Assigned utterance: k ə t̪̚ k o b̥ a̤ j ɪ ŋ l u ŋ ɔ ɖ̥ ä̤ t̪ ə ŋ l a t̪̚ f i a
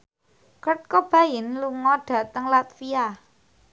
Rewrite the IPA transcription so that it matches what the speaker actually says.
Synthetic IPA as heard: k ə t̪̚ k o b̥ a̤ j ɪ n l u ŋ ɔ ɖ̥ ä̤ t̪ ə ŋ l a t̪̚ f i a